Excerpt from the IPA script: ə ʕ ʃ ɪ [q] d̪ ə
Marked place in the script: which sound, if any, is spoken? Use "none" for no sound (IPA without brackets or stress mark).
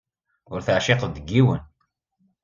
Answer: q